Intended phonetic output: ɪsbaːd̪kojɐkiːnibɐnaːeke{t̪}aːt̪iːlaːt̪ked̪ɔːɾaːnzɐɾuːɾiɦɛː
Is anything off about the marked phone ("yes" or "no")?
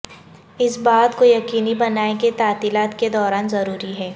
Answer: no